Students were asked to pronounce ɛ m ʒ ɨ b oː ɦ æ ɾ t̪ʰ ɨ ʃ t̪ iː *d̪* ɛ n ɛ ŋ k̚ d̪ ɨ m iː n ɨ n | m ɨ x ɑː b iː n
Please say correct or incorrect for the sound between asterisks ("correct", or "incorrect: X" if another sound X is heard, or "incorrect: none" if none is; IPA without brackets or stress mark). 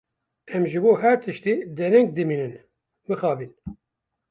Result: correct